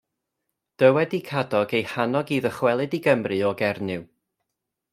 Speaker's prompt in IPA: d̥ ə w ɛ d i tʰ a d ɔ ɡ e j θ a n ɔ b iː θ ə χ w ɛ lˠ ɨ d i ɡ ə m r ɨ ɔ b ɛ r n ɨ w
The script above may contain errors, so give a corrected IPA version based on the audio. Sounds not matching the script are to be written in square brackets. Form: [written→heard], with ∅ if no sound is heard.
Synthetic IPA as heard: d̥ ə w ɛ d i [tʰ→kʰ] a d ɔ ɡ e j [θ→h] a n ɔ [b→ɡ] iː [θ→ð] ə χ w ɛ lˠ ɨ d i ɡ ə m r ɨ ɔ [b→ɡ] ɛ r n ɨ w